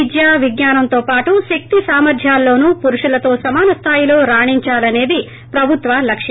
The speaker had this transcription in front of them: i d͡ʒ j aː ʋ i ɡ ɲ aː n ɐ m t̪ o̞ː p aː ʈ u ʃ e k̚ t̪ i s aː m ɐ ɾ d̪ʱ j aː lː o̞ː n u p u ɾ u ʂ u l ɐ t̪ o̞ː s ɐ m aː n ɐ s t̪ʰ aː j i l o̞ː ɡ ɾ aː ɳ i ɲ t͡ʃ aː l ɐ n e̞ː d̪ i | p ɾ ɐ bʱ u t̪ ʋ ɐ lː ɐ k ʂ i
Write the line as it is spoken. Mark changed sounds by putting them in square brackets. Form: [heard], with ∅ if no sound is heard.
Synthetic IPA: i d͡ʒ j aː ʋ i ɡ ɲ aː n ɐ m t̪ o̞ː p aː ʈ u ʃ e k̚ t̪ i s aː m ɐ ɾ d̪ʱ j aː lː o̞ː n u p u ɾ u ʂ u l ɐ t̪ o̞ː s ɐ m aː n ɐ s t̪ʰ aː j i l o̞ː [∅] ɾ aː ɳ i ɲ t͡ʃ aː l ɐ n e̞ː d̪ i | p ɾ ɐ bʱ u t̪ ʋ ɐ [l] ɐ k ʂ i

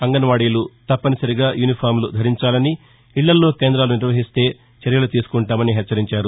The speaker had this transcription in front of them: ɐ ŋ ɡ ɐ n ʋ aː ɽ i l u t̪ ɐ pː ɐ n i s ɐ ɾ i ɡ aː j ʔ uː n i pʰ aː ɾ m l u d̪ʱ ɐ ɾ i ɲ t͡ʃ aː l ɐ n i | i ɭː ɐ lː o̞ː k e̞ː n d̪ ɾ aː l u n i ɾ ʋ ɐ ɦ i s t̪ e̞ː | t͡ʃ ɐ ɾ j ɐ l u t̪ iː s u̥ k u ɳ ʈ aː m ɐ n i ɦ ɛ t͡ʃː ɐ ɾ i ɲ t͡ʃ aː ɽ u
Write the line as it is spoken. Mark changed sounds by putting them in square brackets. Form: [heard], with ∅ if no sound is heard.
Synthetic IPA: ɐ ŋ ɡ ɐ n ʋ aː ɽ i l u t̪ ɐ pː ɐ n i s ɐ ɾ i ɡ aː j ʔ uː n i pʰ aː ɾ m l u d̪ʱ ɐ ɾ i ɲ t͡ʃ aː l ɐ n i | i ɭː ɐ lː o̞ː k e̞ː n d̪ ɾ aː l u n i ɾ ʋ ɐ ɦ i s t̪ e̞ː | t͡ʃ ɐ ɾ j ɐ l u t̪ iː s u̥ k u ɳ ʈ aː m ɐ n i ɦ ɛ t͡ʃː ɐ ɾ i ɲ t͡ʃ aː [ɾ] u

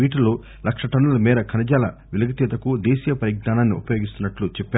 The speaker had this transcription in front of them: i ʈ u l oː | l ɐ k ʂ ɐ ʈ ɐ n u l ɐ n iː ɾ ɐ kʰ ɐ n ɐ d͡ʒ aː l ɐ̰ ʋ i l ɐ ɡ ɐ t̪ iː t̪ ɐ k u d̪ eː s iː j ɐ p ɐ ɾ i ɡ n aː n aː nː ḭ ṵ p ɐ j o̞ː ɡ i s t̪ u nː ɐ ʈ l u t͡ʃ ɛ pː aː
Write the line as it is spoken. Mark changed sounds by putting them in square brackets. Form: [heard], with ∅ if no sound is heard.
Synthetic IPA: [iː] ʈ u l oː | l ɐ k ʂ ɐ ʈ ɐ n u l ɐ [m] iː ɾ ɐ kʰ ɐ n ɐ d͡ʒ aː l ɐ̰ ʋ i l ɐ ɡ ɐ t̪ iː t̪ ɐ k u d̪ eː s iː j ɐ p ɐ ɾ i ɡ n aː n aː nː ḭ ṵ p ɐ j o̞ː ɡ i s t̪ u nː ɐ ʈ l u t͡ʃ ɛ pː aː

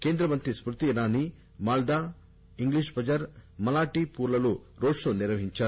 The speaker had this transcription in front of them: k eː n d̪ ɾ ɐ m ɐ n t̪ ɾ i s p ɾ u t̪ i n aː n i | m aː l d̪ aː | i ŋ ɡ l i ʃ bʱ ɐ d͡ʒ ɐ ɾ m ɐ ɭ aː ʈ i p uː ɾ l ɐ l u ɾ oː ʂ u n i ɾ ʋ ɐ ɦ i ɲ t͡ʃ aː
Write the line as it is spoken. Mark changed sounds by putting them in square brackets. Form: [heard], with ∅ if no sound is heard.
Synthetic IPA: k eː n d̪ ɾ ɐ m ɐ n t̪ ɾ i s p ɾ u t̪ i n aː n i | m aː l d̪ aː | i ŋ ɡ l i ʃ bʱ ɐ d͡ʒ ɐ ɾ m ɐ [l] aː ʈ i p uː ɾ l ɐ l u ɾ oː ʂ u n i ɾ ʋ ɐ ɦ i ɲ t͡ʃ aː

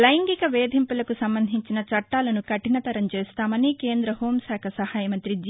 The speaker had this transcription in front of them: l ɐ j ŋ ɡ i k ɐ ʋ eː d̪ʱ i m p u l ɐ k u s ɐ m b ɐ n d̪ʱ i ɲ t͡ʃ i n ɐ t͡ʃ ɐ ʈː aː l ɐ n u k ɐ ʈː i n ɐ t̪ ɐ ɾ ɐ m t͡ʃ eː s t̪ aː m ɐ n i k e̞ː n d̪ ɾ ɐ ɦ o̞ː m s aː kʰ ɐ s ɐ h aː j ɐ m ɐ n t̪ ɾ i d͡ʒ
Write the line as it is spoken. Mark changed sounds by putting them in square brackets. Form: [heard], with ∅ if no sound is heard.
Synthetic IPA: l ɐ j ŋ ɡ i k ɐ ʋ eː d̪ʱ i m p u l ɐ k u s ɐ m b ɐ n d̪ʱ i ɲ t͡ʃ i n ɐ t͡ʃ ɐ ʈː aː l ɐ n u k ɐ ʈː i n ɐ t̪ ɐ ɾ ɐ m t͡ʃ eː s t̪ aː m ɐ n i k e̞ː n d̪ ɾ ɐ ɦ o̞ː m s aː kʰ ɐ s ɐ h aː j ɐ m ɐ n t̪ ɾ i d͡ʒ

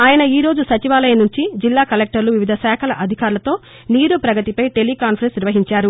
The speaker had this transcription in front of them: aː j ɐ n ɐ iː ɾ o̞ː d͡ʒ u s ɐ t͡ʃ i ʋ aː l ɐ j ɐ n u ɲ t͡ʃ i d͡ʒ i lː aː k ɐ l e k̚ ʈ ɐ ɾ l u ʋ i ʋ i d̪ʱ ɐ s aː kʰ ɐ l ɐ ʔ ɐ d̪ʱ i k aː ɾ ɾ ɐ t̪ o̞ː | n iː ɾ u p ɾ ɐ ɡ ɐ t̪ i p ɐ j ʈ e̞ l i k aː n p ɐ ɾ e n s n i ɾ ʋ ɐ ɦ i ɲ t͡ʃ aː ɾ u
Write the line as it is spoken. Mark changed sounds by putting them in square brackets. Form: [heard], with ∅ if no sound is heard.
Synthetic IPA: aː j ɐ n ɐ iː ɾ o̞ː d͡ʒ u s ɐ t͡ʃ i ʋ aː l ɐ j ɐ n u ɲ t͡ʃ i d͡ʒ i lː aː k ɐ l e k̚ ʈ ɐ ɾ l u ʋ i ʋ i d̪ʱ ɐ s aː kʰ ɐ l ɐ ʔ ɐ d̪ʱ i k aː ɾ [l] ɐ t̪ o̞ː | n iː ɾ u p ɾ ɐ ɡ ɐ t̪ i p ɐ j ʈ e̞ l i k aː n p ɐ ɾ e n s n i ɾ ʋ ɐ ɦ i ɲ t͡ʃ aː ɾ u

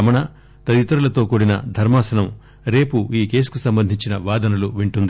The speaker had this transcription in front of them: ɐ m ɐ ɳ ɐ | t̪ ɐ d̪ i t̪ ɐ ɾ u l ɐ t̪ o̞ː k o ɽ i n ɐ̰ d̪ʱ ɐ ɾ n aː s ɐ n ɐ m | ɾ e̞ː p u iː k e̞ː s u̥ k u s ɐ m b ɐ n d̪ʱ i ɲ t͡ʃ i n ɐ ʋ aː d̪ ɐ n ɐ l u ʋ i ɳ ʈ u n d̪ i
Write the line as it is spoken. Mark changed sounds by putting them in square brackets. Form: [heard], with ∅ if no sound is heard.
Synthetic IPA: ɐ m ɐ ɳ ɐ | t̪ ɐ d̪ i t̪ ɐ ɾ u l ɐ t̪ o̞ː k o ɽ i n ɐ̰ d̪ʱ ɐ ɾ [m] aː s ɐ n ɐ m | ɾ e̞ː p u iː k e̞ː s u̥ k u s ɐ m b ɐ n d̪ʱ i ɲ t͡ʃ i n ɐ ʋ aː d̪ ɐ n ɐ l u ʋ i ɳ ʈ u n d̪ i

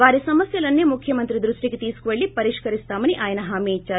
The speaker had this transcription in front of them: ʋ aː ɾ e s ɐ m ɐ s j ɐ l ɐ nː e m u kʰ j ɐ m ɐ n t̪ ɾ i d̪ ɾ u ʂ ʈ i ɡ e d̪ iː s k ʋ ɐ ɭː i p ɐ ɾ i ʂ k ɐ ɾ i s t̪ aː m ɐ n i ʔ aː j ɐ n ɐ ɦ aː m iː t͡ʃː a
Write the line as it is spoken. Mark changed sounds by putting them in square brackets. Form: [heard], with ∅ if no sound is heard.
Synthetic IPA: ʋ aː ɾ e s ɐ m ɐ s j ɐ l ɐ nː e m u kʰ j ɐ m ɐ n t̪ ɾ i d̪ ɾ u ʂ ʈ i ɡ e [t̪] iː s k ʋ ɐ ɭː i p ɐ ɾ i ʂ k ɐ ɾ i s t̪ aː m ɐ n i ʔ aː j ɐ n ɐ ɦ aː m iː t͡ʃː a

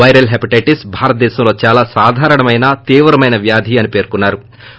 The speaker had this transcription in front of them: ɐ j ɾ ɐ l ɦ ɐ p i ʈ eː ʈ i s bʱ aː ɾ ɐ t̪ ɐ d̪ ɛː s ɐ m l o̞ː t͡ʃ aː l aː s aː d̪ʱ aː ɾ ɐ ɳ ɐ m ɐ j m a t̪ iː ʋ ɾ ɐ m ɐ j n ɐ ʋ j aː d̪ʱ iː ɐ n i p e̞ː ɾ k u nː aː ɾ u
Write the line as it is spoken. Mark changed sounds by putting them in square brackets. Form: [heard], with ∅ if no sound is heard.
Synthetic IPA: ɐ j ɾ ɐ l ɦ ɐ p i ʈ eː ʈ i s bʱ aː ɾ ɐ t̪ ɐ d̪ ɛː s ɐ m l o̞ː t͡ʃ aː l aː s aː d̪ʱ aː ɾ ɐ ɳ ɐ m ɐ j [n] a t̪ iː ʋ ɾ ɐ m ɐ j n ɐ ʋ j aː d̪ʱ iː ɐ n i p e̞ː ɾ k u nː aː ɾ u

